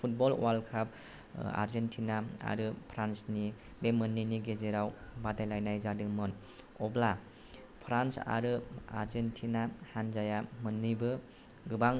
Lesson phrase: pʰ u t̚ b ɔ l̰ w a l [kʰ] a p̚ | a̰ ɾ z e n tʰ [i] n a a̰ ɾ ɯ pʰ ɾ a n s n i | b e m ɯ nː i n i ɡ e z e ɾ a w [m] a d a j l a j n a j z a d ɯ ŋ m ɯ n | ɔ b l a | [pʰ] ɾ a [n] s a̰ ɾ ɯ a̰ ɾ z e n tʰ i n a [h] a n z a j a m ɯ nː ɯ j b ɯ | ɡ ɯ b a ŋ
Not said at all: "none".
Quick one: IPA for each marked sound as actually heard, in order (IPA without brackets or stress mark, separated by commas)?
kʰ, i, b, pʰ, n, h